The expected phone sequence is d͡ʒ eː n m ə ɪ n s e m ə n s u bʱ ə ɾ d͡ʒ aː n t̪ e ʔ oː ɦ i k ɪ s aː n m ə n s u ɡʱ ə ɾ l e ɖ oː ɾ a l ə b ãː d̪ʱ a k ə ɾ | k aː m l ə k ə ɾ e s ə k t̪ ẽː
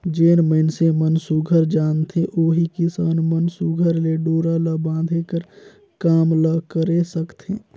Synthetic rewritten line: d͡ʒ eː n m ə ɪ n s e m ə n s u ɡʱ ə ɾ d͡ʒ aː n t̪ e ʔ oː ɦ i k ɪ s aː n m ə n s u ɡʱ ə ɾ l e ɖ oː ɾ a l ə b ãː d̪ʱ e k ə ɾ | k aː m l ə k ə ɾ e s ə k t̪ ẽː

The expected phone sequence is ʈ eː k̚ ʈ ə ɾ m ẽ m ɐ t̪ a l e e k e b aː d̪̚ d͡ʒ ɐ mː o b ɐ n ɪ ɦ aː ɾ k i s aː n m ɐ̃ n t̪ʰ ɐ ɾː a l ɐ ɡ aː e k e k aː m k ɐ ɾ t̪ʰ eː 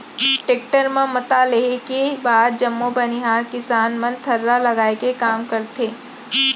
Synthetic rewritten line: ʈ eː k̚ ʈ ə ɾ m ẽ m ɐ t̪ a l e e k e b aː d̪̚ d͡ʒ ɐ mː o b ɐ n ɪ ɦ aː ɾ k ɪ s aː n m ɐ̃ n t̪ʰ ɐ ɾː a l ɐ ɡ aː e k e k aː m k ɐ ɾ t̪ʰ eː

